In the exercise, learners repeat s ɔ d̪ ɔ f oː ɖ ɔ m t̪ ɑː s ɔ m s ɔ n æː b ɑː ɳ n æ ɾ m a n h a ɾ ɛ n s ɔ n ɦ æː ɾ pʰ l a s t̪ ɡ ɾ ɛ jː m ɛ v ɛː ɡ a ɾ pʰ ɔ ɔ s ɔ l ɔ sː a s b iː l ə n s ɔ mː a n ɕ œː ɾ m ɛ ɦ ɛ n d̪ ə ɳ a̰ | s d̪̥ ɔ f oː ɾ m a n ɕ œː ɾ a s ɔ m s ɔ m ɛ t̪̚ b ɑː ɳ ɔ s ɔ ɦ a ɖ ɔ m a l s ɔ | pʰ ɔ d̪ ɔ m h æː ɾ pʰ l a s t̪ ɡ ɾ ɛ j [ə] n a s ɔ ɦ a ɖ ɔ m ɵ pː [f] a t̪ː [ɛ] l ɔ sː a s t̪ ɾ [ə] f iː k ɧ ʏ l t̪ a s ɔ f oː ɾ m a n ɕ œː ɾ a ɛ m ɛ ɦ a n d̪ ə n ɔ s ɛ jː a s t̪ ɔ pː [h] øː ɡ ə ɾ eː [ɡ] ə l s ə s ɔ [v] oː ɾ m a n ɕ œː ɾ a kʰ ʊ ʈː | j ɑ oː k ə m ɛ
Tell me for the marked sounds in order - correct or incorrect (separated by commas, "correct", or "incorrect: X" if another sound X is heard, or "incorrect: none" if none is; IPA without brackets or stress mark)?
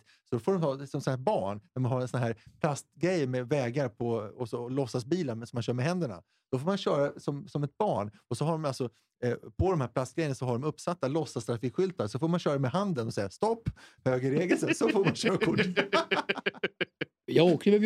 correct, incorrect: s, incorrect: a, incorrect: a, correct, correct, incorrect: f